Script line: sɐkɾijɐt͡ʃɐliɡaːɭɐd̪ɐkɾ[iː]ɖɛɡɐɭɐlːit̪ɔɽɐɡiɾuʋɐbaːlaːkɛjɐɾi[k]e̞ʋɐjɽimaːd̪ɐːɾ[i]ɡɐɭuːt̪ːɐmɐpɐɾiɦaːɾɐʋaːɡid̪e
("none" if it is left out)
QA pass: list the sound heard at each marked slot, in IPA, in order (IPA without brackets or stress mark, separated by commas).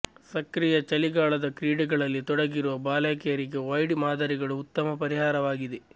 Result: iː, ɡ, i